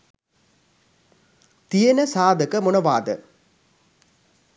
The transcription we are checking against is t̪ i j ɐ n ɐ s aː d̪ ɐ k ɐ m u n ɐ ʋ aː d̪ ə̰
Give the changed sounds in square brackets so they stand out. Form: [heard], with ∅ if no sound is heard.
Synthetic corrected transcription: t̪ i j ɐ n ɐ s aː d̪ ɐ k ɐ m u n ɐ ʋ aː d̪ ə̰